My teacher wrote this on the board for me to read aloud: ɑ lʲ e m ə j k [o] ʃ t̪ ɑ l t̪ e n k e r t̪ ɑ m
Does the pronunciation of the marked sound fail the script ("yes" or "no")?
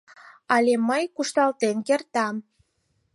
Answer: yes